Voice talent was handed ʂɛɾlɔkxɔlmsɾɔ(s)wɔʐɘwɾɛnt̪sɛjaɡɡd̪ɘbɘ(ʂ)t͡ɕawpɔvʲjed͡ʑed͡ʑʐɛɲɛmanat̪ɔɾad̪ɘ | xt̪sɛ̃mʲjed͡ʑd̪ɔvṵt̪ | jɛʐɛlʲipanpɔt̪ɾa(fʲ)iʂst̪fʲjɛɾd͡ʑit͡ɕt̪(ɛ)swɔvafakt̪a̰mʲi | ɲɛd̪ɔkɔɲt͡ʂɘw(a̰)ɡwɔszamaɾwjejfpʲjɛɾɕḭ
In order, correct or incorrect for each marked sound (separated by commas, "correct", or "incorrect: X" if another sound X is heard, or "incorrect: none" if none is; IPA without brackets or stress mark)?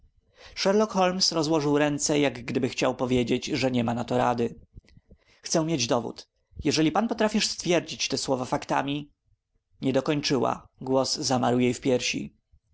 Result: incorrect: z, incorrect: x, correct, correct, correct